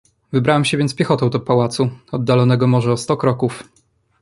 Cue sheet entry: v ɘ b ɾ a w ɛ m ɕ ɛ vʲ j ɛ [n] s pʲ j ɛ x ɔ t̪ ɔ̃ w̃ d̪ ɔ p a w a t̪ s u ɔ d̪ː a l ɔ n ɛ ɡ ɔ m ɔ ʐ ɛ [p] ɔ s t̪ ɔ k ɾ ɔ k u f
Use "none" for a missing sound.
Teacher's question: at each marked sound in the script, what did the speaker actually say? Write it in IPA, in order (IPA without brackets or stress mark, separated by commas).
n, none